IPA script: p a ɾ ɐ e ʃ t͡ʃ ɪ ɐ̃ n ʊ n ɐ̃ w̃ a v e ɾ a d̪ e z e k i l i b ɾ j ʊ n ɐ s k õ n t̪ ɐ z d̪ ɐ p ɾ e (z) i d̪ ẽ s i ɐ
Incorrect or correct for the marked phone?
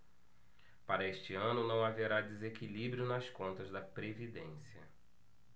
incorrect: v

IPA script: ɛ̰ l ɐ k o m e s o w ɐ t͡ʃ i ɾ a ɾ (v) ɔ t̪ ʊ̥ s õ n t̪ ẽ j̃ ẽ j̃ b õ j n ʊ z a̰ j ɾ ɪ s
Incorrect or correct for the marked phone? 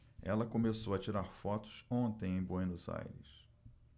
incorrect: f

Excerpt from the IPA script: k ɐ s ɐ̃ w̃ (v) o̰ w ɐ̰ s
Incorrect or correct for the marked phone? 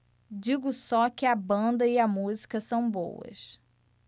incorrect: b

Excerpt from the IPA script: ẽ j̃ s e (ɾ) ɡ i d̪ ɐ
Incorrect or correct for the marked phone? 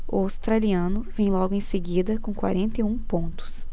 incorrect: none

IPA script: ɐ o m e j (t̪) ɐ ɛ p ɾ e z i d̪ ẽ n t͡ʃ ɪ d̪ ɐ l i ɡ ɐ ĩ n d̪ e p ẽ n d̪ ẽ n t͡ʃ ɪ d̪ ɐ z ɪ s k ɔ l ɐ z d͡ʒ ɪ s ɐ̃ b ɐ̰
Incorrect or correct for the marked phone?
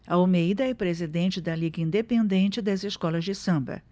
incorrect: d̪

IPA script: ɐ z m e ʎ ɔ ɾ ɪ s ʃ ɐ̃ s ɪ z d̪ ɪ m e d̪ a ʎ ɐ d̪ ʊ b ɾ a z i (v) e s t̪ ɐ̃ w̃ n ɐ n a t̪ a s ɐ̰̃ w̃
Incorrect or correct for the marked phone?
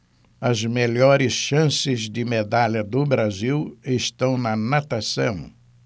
incorrect: w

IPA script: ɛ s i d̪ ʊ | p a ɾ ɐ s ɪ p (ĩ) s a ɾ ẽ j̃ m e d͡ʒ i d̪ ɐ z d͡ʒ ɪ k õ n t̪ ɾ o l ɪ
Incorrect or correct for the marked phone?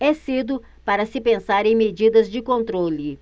incorrect: ẽ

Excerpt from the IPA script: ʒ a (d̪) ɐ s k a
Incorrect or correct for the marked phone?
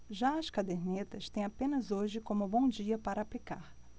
incorrect: none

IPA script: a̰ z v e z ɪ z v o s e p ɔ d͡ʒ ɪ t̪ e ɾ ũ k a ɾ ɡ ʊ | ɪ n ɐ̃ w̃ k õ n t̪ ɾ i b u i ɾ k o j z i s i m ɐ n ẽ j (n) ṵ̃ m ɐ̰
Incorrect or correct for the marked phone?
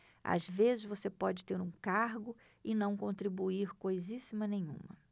incorrect: ɲ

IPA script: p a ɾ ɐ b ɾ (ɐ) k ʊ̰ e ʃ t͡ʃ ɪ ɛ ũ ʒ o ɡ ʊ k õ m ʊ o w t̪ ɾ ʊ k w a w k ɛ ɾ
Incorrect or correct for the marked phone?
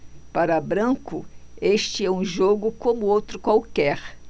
incorrect: ɐ̃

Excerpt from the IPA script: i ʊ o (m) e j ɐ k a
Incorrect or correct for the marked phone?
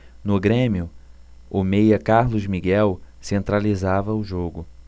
correct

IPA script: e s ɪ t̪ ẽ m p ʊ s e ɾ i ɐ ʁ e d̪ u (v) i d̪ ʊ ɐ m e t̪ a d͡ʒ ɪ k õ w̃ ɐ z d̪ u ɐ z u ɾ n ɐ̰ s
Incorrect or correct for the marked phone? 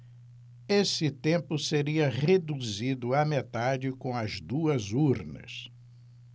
incorrect: z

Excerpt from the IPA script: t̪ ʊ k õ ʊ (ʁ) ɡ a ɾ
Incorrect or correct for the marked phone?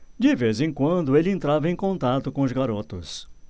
incorrect: z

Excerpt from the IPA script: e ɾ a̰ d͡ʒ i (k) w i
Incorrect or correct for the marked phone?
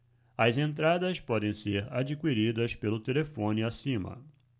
correct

